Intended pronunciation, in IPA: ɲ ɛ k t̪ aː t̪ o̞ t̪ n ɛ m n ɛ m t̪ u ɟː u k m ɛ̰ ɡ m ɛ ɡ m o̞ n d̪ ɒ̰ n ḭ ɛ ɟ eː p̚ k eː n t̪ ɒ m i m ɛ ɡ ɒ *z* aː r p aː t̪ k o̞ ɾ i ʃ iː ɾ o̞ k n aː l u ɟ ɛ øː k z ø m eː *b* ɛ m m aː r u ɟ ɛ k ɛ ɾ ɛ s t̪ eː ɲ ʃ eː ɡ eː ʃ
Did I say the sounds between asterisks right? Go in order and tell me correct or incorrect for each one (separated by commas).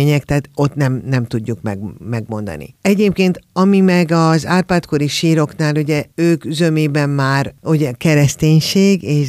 correct, correct